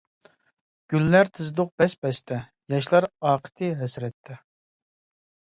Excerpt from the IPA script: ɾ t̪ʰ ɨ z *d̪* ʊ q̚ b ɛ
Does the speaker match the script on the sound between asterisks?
yes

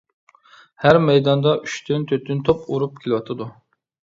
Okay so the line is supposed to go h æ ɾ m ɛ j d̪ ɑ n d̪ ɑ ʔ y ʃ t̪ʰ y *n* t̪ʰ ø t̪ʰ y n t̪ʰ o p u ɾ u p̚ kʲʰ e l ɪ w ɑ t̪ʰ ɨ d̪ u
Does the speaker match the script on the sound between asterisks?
yes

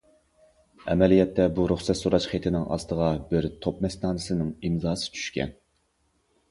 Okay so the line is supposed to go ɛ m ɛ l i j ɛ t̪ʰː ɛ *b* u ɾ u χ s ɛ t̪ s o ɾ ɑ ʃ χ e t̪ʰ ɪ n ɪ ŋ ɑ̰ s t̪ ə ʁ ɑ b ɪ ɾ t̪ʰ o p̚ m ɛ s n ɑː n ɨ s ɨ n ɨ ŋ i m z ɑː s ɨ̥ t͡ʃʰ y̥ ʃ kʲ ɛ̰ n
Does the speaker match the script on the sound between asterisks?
yes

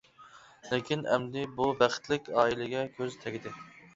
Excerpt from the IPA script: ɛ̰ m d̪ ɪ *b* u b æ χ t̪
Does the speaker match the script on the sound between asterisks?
yes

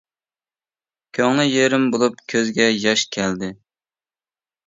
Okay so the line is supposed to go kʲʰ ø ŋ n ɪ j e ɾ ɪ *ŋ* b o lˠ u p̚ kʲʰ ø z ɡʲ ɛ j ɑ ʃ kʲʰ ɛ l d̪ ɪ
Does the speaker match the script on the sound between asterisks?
no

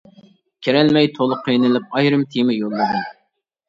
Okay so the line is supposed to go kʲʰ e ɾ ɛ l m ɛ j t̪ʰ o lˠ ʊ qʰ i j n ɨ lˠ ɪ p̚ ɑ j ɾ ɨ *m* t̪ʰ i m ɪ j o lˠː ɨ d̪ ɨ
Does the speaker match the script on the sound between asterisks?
yes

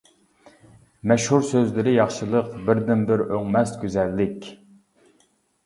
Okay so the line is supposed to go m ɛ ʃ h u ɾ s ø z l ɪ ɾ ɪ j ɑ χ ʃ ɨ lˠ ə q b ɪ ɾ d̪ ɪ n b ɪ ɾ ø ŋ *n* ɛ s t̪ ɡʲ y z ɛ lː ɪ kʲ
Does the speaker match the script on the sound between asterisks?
no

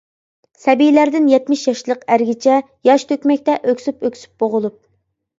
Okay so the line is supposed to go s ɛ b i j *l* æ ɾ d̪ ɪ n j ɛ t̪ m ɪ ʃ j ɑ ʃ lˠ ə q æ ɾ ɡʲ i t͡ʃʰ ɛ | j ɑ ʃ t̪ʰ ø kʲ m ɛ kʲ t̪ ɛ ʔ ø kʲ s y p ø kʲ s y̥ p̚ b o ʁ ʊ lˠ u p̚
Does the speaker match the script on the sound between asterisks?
yes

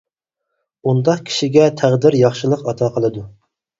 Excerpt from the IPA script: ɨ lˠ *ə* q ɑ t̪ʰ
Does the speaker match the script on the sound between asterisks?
yes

